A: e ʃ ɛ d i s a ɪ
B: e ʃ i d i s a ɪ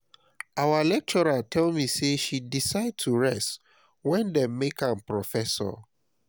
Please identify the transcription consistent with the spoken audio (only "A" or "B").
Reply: B